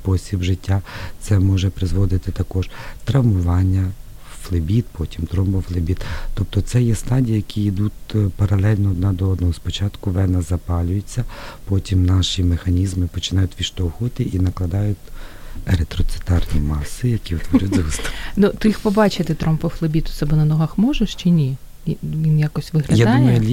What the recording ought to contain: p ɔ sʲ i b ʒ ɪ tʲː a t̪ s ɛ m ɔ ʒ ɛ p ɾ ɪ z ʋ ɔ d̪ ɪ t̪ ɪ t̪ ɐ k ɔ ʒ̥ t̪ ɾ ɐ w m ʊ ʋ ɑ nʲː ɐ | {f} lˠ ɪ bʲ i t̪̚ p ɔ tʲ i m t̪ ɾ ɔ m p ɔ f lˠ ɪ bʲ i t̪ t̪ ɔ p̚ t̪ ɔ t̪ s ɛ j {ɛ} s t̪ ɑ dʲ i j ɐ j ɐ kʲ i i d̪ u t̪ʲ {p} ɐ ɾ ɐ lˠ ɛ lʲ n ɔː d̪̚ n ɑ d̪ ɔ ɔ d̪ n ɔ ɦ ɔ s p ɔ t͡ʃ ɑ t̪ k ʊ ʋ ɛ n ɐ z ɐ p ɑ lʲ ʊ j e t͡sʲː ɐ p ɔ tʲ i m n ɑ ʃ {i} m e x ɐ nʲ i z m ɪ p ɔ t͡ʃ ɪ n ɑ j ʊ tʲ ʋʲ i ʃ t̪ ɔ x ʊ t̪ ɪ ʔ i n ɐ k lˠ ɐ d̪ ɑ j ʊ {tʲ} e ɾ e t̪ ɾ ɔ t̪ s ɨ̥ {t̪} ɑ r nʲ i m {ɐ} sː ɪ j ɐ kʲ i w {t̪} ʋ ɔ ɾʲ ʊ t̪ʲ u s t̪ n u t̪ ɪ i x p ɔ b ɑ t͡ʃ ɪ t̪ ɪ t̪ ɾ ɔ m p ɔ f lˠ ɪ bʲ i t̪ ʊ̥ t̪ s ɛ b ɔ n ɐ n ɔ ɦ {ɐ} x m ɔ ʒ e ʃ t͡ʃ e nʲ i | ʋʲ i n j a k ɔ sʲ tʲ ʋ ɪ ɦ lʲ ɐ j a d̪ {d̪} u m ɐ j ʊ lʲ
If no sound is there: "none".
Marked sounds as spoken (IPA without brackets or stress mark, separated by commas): f, ɛ, p, i, tʲ, t̪, ɑ, t̪, ɐ, d̪